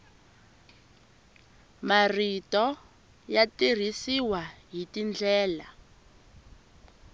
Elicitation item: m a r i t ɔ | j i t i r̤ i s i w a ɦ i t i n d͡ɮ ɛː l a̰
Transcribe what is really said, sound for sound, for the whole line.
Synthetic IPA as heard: m a r i t ɔ | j a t i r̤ i s i w a ɦ i t i n d͡ɮ ɛː l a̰